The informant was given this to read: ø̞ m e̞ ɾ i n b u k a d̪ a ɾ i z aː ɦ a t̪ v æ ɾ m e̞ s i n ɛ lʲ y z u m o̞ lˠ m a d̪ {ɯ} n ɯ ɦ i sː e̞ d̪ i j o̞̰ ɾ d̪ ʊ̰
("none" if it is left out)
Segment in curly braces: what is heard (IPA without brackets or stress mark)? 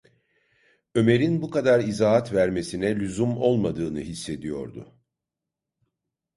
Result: ɯː